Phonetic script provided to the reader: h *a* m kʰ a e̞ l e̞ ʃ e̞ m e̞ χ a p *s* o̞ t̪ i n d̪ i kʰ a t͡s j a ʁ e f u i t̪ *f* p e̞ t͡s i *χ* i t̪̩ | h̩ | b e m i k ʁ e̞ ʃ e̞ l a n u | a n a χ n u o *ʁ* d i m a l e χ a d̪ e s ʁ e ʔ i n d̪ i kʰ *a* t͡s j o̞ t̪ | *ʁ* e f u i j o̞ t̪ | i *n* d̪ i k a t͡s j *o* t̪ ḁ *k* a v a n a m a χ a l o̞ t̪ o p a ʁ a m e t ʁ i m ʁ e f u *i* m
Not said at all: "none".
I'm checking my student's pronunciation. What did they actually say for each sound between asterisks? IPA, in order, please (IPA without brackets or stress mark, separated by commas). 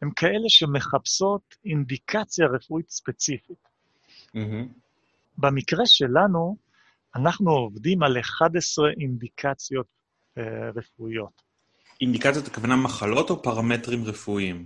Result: e, s, s, f, v, a, ʁ, n, o, k, i